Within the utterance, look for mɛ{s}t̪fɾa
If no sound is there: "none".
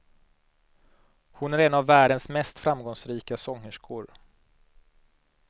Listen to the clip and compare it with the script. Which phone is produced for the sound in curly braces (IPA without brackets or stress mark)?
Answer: s